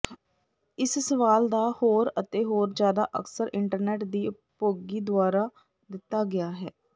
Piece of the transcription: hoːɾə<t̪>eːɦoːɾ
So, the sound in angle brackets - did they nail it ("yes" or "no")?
yes